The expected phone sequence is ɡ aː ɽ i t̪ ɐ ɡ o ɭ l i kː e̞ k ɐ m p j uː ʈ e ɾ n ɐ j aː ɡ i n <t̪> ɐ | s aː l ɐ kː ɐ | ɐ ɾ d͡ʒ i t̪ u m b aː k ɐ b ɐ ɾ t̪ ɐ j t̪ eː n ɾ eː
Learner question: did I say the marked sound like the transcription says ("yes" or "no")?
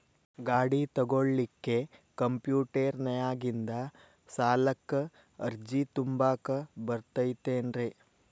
no